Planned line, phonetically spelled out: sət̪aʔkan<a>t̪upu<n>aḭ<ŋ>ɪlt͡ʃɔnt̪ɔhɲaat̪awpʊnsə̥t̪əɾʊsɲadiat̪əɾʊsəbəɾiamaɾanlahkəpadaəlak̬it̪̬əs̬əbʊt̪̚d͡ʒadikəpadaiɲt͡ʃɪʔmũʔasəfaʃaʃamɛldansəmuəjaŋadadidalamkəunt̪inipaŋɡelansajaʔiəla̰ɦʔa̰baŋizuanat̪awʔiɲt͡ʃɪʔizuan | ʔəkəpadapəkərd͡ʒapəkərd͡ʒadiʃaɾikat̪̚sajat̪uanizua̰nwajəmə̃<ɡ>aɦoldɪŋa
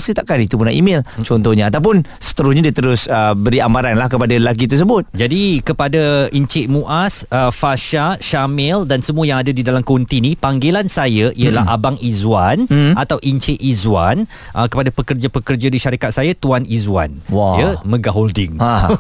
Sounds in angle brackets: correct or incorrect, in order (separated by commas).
incorrect, correct, incorrect, correct